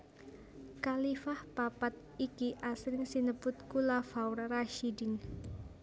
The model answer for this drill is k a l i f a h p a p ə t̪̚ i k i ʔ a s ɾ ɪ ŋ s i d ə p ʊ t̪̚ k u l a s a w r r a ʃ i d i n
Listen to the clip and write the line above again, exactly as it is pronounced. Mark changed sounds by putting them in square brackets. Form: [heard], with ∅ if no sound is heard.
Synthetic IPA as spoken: k a l i f a h p a p [a] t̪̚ i k i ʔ a s ɾ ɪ ŋ s i [n] ə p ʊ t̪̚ k u l a [f] a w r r a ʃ i d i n